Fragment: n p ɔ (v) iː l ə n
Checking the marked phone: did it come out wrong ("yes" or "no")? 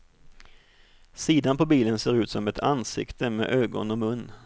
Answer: yes